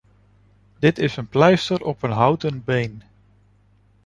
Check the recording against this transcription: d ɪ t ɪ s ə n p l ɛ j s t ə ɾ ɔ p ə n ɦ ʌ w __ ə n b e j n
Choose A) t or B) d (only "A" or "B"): A